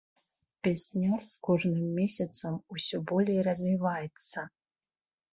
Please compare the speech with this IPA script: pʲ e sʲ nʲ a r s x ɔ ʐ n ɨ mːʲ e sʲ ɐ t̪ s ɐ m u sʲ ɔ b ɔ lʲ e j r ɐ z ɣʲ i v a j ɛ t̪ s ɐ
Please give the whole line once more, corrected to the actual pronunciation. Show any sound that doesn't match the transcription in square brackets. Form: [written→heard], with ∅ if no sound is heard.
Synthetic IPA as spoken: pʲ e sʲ nʲ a r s [x→k] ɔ ʐ n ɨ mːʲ e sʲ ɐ t̪ s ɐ m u sʲ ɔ b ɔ lʲ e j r ɐ z [ɣʲ→vʲ] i v a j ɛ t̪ s ɐ